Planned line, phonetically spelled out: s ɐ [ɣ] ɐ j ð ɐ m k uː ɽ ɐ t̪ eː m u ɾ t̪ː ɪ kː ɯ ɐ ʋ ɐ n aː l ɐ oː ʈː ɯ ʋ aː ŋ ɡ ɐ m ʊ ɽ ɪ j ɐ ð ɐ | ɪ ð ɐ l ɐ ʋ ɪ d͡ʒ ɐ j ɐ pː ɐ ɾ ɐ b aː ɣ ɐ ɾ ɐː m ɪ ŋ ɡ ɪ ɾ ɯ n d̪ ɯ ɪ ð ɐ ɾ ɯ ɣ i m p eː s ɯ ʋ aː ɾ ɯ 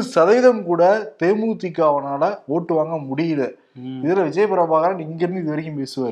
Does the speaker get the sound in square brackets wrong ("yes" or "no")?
yes